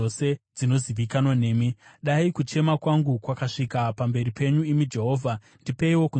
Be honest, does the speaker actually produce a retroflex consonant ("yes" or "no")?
yes